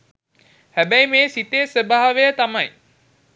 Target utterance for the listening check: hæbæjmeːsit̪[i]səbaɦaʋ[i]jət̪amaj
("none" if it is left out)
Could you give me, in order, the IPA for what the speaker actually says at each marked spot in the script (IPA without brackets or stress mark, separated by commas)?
e, e